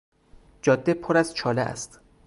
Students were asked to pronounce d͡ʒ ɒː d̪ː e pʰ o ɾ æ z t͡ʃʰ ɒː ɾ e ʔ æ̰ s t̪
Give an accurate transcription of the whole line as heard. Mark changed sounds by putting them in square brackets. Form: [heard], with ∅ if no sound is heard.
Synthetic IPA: d͡ʒ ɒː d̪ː e pʰ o ɾ æ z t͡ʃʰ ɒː [l] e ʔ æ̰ s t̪